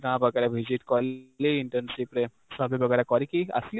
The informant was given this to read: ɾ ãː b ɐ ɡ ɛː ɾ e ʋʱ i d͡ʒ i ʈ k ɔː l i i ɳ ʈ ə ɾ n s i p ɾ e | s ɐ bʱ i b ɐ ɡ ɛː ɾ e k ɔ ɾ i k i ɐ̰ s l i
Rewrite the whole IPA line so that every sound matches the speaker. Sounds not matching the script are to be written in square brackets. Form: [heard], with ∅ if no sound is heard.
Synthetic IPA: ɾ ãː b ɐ ɡ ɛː ɾ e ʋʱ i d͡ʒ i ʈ k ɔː l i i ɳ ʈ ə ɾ n s i p ɾ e | s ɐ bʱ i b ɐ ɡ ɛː ɾ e k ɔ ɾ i k i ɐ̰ s l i